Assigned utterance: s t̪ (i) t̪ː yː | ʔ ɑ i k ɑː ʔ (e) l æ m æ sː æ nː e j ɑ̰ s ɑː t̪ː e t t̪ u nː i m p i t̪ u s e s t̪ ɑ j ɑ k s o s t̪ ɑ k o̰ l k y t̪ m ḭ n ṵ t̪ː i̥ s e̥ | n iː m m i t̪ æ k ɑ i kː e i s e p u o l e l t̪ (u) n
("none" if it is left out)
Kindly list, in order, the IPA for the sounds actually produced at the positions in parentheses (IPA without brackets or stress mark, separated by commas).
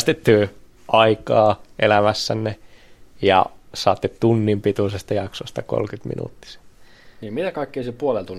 e, e, u